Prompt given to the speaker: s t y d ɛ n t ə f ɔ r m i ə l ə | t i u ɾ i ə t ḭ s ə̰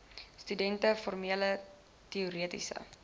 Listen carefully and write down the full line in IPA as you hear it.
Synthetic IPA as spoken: s t y d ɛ n t ə f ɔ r m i ə l ə | t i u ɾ i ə t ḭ s ə̰